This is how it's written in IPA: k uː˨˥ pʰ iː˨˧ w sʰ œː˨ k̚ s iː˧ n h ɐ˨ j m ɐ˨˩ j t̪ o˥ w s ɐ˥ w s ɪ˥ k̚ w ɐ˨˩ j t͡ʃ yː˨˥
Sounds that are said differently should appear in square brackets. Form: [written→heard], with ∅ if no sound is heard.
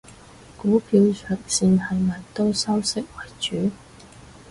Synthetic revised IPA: k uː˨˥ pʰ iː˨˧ w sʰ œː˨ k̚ s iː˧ n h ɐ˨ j m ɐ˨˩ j t̪ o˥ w s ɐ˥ w s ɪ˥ k̚ w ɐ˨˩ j t͡ʃ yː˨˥